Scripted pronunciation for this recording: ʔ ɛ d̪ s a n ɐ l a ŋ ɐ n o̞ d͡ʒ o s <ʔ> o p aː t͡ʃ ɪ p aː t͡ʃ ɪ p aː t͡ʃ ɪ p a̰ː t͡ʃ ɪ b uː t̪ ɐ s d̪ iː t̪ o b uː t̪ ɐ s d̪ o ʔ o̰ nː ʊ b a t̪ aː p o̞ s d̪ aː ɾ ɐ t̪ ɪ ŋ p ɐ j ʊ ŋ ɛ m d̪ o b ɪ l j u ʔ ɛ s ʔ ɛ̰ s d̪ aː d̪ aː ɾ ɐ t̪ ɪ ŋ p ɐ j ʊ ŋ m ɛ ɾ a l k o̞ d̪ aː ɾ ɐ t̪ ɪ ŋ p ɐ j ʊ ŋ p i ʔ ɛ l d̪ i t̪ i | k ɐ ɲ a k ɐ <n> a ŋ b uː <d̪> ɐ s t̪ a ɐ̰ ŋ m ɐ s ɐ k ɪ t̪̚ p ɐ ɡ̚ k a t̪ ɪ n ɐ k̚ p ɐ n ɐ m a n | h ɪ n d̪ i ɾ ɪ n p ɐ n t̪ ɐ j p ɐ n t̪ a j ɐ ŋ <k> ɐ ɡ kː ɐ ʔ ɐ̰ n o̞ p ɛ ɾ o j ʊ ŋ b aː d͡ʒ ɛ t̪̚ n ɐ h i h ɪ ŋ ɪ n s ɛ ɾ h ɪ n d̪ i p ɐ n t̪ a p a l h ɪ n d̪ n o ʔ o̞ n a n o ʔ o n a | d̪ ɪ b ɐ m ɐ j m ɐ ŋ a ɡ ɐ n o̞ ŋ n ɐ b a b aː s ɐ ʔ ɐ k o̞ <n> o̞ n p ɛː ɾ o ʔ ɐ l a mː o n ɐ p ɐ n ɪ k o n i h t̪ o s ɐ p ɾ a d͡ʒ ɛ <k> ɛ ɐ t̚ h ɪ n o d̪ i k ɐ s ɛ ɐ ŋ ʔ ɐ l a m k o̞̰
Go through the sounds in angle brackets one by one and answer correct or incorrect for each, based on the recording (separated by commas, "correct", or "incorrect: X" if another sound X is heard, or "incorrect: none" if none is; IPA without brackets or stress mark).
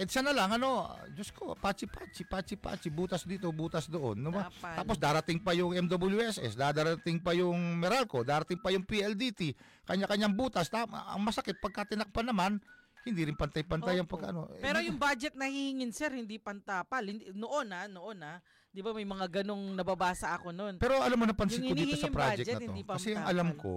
incorrect: k, incorrect: ɲ, incorrect: t̪, incorrect: p, correct, correct